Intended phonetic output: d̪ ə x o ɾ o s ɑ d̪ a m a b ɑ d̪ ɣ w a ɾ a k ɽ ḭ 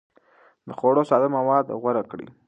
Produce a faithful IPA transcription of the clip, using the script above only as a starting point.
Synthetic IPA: d̪ ə x o ɽ o s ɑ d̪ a m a w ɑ d̪ ɣ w a ɾ a k ɽ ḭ